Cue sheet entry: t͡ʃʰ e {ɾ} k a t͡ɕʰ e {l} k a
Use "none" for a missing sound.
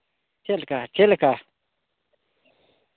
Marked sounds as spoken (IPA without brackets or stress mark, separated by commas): l, l